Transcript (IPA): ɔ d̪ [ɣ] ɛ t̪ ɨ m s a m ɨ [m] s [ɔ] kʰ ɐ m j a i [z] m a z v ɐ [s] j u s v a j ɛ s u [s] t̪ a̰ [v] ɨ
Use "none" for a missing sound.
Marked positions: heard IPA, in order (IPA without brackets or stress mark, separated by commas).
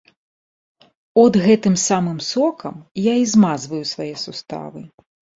ɣ, m, ɔ, z, none, s, v